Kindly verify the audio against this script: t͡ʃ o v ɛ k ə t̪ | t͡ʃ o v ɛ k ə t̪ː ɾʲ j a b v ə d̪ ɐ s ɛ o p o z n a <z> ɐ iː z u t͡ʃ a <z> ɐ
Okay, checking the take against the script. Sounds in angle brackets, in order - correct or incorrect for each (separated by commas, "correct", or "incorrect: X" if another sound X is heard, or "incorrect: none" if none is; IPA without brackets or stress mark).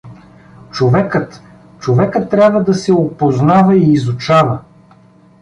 incorrect: v, incorrect: v